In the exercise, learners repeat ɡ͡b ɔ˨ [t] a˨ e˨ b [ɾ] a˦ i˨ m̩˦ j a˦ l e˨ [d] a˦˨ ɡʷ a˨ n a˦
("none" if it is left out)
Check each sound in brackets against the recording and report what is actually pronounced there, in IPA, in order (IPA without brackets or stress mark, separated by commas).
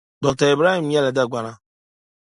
t, ɾ, d